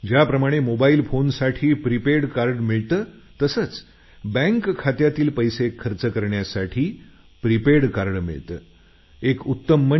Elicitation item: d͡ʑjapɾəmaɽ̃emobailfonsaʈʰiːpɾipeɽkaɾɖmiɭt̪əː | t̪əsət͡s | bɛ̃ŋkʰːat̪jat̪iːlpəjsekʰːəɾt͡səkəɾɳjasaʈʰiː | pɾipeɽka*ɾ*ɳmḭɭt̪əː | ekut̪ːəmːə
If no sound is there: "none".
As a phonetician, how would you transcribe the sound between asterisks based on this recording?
ɾ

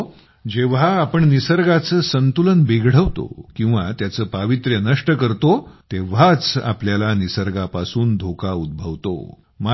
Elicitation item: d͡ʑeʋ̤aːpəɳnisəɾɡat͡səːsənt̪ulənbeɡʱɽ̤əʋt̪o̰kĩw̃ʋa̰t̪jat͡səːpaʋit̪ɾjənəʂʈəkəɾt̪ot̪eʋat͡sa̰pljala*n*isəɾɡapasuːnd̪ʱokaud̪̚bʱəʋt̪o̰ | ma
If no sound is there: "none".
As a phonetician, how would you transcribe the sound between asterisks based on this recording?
n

